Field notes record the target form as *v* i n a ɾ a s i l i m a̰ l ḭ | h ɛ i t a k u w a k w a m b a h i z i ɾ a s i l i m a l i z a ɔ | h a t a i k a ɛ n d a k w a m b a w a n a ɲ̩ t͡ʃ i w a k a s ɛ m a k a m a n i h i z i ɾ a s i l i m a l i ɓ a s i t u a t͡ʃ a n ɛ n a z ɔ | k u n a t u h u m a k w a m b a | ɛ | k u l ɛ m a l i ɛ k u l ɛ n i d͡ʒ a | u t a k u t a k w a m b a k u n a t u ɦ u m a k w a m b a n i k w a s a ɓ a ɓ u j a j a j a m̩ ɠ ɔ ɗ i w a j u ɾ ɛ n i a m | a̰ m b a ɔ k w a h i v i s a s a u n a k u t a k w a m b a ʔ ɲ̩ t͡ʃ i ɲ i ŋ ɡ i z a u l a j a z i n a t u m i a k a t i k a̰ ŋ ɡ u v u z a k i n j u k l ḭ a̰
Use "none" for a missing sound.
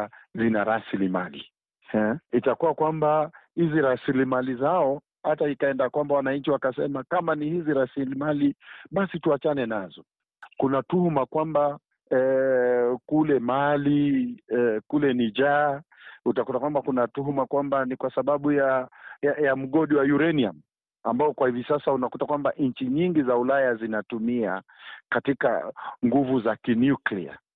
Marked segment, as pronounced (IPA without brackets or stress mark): z